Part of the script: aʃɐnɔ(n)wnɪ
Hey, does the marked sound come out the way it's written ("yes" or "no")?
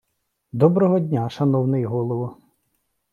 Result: no